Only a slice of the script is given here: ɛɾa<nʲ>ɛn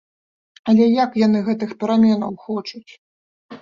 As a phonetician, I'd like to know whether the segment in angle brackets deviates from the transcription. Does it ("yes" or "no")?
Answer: yes